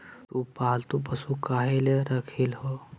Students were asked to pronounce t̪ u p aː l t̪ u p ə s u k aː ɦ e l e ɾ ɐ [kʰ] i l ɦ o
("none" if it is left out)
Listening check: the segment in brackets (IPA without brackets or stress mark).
kʰ